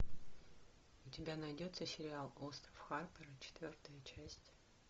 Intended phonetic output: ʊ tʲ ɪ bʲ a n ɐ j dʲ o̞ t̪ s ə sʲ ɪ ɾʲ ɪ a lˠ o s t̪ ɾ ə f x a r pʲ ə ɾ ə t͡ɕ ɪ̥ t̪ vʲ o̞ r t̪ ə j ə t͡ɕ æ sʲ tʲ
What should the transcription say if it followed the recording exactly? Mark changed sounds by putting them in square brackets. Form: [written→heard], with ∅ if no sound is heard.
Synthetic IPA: ʊ tʲ ɪ bʲ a n ɐ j dʲ o̞ t̪ s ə sʲ ɪ ɾʲ ɪ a lˠ o s t̪ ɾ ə f x a r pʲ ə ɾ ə t͡ɕ ɪ̥ t̪ vʲ o̞ r t̪ ə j ə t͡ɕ æ sʲ tʲ